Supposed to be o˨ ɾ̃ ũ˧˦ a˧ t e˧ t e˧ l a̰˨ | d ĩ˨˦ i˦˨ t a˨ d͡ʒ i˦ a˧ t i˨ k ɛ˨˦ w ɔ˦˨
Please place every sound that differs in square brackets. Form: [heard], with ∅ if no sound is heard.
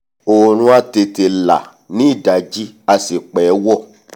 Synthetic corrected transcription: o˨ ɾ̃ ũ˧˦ a˧ t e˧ t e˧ l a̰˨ | [n] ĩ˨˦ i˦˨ [d] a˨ d͡ʒ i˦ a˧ [s] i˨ [k͡p] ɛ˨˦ w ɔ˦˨